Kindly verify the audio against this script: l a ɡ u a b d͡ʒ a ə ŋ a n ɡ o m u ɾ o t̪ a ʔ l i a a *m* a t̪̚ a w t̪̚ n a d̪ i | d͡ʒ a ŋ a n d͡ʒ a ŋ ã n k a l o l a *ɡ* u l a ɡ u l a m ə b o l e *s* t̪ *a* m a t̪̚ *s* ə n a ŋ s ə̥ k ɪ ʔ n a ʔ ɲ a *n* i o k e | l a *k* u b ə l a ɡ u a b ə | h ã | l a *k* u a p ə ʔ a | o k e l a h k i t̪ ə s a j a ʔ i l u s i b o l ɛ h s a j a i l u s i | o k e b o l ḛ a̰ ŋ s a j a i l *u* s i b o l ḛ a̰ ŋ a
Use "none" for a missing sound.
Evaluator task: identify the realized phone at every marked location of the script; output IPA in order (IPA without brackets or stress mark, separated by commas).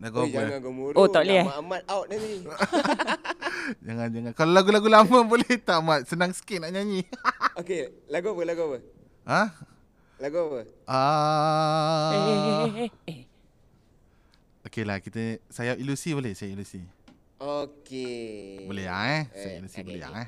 m, ɡ, h, a, s, ɲ, ɡ, ɡ, u